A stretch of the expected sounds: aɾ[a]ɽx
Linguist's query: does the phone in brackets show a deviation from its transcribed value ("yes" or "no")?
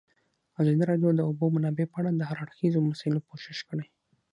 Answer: no